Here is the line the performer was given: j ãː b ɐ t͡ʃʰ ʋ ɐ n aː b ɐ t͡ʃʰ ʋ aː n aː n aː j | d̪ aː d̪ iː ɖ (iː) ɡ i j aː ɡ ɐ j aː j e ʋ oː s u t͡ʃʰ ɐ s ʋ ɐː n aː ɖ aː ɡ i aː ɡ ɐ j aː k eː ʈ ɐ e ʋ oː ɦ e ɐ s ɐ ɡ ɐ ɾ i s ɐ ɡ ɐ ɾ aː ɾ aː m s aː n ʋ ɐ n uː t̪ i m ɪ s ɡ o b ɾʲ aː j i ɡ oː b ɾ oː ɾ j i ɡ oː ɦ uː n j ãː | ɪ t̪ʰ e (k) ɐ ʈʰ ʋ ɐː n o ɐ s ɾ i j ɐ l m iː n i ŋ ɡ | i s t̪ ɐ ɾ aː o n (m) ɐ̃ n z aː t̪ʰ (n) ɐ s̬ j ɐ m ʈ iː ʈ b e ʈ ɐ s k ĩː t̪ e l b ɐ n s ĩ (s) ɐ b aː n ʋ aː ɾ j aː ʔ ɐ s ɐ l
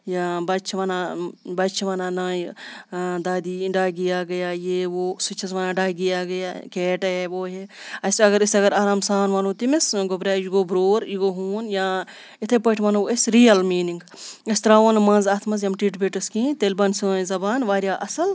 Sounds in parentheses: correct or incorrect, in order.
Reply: incorrect, incorrect, correct, incorrect, incorrect

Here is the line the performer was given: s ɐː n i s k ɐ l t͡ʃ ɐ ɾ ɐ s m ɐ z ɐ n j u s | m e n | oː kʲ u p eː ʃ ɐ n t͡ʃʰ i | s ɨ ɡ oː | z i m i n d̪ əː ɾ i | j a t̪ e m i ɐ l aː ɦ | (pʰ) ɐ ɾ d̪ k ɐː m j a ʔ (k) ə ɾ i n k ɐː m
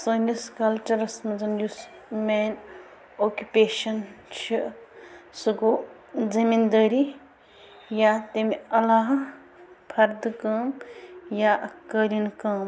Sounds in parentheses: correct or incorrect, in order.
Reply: correct, correct

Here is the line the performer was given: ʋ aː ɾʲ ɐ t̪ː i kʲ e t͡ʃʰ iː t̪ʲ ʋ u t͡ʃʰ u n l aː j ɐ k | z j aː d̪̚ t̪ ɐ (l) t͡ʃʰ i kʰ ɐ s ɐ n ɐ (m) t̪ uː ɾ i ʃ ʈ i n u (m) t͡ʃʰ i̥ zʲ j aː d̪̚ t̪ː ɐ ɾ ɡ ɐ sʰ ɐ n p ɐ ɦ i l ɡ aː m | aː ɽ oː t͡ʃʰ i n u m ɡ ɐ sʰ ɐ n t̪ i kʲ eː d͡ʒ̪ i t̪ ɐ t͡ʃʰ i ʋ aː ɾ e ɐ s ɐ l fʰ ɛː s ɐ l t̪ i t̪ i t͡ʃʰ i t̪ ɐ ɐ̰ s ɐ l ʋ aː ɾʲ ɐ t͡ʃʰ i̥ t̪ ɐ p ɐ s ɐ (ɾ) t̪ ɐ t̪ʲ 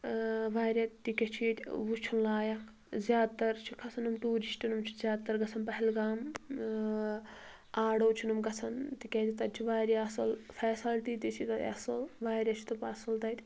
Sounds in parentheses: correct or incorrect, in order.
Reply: incorrect, correct, correct, incorrect

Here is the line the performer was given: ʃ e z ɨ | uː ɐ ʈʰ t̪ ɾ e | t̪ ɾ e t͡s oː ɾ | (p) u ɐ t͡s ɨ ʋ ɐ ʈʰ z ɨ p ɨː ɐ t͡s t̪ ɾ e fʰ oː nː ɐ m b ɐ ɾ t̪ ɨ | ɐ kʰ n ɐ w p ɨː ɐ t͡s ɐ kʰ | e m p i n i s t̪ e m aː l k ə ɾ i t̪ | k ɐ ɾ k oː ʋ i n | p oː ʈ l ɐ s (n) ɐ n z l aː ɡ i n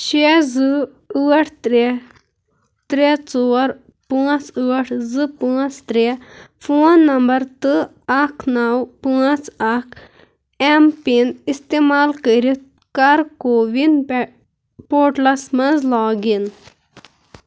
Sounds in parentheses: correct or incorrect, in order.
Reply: correct, incorrect

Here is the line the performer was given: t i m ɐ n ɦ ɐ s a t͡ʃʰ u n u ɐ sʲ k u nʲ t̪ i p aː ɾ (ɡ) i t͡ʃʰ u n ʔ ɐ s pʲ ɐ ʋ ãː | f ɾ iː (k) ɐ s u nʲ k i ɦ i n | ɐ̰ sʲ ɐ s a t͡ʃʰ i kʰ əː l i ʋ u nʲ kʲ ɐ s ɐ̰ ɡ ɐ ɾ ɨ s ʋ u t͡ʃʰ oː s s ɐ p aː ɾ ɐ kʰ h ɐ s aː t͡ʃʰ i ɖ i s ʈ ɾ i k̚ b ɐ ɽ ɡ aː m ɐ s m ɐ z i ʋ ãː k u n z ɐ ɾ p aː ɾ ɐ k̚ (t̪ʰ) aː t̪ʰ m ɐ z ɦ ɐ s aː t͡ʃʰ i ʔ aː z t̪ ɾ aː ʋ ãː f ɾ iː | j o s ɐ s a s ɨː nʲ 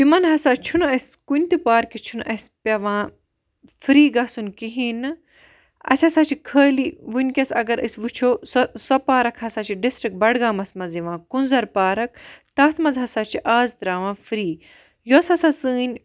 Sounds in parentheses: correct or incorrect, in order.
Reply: incorrect, incorrect, incorrect

